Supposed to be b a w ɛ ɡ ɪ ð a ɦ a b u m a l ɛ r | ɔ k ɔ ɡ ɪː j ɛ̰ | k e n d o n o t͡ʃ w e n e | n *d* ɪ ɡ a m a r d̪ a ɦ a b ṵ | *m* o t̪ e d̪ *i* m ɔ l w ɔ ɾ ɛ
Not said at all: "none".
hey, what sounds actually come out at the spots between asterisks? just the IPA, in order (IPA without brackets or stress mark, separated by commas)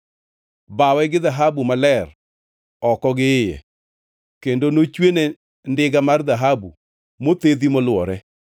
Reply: d, m, i